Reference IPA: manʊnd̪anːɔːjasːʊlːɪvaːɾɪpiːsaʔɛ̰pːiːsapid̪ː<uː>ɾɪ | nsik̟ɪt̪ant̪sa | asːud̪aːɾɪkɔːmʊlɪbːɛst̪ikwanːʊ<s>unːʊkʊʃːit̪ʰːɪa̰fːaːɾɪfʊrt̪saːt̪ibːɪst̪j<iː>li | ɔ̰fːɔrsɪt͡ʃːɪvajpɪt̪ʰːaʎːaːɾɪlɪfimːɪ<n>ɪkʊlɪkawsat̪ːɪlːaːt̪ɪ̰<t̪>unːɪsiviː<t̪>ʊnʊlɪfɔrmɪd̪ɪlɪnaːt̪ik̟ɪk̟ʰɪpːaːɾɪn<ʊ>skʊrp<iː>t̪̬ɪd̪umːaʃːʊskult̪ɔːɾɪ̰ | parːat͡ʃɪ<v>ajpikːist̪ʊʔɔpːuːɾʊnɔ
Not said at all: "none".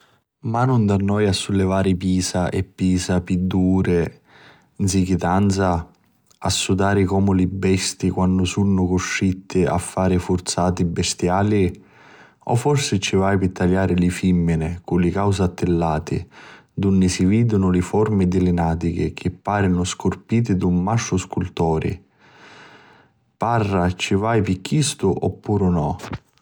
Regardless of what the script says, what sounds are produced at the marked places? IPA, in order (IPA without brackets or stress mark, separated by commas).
uː, s, aː, n, d̪, d̪, ʊ, iː, v